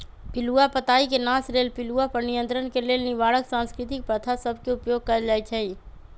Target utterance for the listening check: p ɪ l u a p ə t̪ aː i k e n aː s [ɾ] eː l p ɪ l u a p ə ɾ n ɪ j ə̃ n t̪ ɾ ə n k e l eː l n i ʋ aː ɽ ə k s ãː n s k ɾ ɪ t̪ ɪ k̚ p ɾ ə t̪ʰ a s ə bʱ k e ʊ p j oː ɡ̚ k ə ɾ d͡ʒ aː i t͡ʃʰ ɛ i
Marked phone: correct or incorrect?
correct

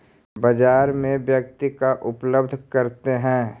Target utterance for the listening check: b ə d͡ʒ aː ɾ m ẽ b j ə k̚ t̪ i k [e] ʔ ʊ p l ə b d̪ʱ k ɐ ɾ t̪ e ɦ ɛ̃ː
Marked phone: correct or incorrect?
incorrect: a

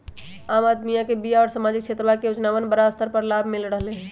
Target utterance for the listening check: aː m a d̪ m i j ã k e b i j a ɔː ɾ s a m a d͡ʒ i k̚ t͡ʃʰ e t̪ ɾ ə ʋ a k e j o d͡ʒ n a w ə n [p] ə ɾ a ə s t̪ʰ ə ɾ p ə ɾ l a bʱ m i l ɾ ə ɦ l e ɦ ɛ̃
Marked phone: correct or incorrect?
incorrect: b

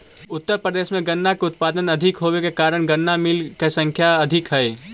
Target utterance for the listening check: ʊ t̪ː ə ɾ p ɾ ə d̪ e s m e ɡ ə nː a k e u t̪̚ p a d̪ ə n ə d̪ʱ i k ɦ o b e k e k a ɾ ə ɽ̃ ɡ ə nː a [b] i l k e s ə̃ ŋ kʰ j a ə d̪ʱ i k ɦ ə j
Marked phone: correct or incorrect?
incorrect: m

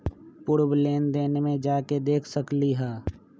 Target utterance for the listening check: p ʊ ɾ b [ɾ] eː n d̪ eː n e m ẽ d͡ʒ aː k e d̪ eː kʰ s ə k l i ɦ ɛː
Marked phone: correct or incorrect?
incorrect: l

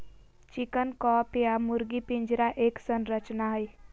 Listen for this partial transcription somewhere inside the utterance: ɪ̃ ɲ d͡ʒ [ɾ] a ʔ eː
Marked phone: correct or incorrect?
correct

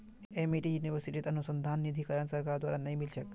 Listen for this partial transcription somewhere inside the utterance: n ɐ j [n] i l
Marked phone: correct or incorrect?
incorrect: m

